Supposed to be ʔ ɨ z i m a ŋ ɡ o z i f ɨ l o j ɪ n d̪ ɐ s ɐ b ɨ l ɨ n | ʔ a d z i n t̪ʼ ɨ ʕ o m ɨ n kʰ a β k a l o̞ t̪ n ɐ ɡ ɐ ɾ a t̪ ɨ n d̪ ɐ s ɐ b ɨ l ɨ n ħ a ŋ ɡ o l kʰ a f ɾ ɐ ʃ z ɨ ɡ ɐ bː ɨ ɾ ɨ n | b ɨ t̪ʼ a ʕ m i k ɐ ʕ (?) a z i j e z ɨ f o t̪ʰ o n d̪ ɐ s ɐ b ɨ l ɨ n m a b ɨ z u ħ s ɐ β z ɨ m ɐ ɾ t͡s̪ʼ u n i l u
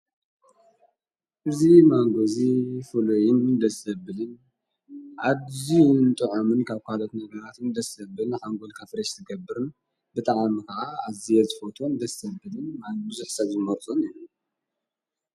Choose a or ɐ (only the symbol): a